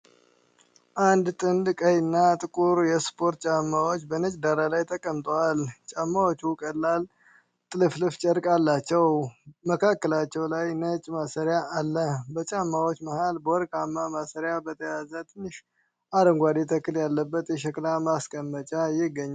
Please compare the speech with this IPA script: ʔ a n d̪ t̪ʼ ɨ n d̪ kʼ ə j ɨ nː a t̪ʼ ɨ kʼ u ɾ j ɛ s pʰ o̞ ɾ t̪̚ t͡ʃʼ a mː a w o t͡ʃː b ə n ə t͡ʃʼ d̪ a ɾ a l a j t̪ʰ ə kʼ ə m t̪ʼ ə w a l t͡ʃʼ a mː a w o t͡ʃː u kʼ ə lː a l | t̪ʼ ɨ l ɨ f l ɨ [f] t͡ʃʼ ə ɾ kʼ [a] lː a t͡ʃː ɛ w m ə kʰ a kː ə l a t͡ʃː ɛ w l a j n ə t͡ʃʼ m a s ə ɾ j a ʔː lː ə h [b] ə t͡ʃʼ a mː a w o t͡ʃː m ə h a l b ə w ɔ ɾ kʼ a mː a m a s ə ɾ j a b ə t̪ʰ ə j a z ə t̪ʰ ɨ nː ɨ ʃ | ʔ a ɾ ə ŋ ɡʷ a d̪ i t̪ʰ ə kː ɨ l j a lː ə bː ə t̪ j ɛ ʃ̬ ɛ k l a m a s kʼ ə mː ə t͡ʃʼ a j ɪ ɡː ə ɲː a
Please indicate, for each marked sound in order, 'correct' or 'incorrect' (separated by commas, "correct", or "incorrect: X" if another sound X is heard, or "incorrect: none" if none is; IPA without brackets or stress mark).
correct, correct, correct